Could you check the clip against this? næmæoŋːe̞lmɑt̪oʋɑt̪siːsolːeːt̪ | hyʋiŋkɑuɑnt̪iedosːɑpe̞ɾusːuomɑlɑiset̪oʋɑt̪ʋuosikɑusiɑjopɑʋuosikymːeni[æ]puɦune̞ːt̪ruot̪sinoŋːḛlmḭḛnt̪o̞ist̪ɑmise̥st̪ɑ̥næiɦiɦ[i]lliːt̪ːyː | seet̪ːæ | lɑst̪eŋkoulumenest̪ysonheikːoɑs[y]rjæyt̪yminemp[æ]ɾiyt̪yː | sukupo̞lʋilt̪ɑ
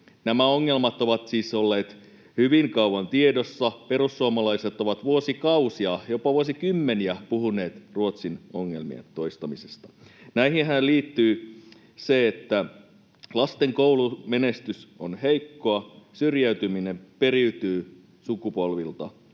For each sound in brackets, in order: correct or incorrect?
correct, incorrect: æ, correct, incorrect: e

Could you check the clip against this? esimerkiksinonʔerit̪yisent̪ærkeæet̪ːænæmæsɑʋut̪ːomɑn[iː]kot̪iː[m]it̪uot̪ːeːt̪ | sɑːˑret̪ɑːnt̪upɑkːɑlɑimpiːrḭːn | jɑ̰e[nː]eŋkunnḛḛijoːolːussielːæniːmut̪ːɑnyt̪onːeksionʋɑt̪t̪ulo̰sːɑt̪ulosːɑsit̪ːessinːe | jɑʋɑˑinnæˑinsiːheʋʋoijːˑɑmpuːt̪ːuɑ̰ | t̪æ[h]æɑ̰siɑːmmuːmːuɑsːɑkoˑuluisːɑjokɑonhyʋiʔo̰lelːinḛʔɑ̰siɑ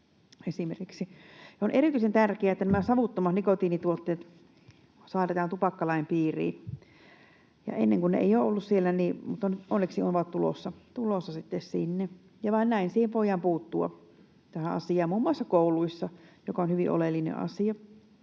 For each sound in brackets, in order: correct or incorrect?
incorrect: i, incorrect: n, correct, correct

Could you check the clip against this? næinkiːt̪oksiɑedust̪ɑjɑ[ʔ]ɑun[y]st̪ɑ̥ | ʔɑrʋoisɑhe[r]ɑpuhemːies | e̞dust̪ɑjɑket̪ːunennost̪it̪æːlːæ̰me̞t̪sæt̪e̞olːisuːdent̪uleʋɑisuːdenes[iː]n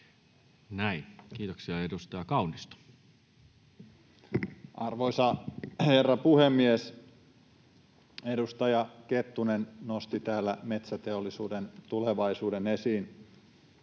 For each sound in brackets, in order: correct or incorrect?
incorrect: k, incorrect: i, incorrect: rː, correct

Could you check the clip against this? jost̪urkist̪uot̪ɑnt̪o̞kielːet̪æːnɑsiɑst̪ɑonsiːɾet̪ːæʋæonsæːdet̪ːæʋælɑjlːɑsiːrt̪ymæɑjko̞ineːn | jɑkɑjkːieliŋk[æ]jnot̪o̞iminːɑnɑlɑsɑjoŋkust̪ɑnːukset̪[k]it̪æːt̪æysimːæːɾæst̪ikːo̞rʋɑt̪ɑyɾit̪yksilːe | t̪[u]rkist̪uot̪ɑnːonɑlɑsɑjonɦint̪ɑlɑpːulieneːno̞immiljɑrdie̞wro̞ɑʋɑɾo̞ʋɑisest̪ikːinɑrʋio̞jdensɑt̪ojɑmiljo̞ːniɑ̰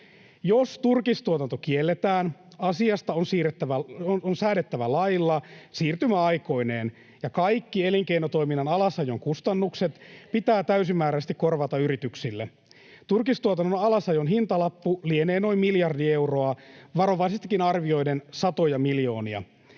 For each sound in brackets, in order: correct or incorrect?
incorrect: e, incorrect: p, correct

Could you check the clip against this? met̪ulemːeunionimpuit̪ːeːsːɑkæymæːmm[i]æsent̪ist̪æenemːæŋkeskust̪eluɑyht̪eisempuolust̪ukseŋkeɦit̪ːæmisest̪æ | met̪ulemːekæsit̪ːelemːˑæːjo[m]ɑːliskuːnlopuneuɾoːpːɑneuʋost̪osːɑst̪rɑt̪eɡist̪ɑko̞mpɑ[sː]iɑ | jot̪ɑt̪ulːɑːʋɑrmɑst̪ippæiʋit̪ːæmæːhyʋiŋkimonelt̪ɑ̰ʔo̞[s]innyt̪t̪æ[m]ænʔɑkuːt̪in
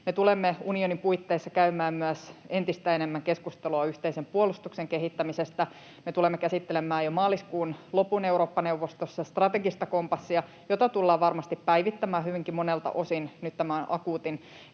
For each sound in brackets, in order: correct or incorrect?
incorrect: y, correct, correct, correct, correct

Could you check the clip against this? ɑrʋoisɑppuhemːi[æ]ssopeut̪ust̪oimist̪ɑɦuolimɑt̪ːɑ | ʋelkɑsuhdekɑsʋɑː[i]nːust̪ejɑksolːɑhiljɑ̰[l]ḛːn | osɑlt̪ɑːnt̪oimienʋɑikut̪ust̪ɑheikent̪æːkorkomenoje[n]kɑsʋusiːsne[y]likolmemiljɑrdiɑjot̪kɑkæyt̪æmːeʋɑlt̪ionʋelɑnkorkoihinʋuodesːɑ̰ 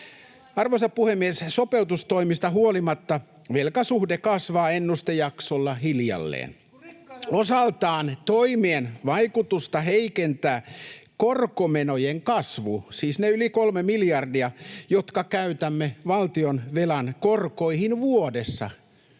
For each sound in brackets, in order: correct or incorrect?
incorrect: e, incorrect: e, incorrect: lː, incorrect: ŋ, correct

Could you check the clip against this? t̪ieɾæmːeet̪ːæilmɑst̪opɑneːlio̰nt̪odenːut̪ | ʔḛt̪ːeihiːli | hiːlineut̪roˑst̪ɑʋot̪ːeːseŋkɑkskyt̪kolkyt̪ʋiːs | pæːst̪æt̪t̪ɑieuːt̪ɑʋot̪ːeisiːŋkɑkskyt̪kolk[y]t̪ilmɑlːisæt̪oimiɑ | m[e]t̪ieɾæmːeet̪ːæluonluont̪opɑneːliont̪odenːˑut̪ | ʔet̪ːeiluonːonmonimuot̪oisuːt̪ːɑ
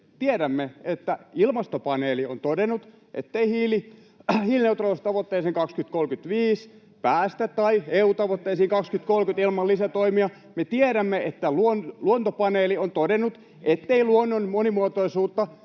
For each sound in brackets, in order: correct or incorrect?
correct, correct

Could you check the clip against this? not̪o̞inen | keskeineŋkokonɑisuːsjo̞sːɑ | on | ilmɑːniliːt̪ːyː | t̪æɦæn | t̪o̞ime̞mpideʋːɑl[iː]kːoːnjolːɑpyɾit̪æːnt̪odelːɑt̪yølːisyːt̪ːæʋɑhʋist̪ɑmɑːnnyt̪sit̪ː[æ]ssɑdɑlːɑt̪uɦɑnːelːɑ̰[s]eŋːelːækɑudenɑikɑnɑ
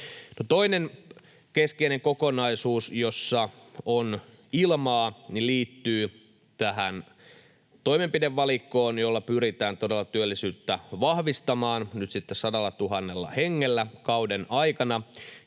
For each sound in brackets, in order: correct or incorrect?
incorrect: i, incorrect: e, incorrect: h

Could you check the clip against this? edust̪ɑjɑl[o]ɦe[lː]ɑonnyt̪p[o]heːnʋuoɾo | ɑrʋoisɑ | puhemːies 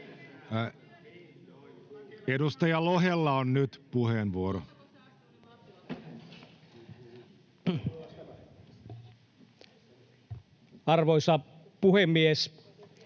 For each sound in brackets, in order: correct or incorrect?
correct, correct, incorrect: u

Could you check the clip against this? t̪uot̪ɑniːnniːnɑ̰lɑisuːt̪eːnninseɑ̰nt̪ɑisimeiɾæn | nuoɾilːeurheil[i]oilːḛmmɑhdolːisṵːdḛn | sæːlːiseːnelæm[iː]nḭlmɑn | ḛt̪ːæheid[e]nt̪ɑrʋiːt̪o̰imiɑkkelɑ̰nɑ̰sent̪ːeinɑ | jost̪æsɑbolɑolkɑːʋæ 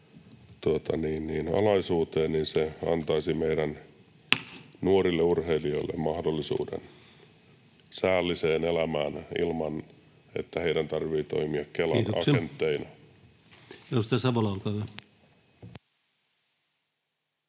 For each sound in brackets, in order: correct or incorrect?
correct, incorrect: æː, incorrect: æ

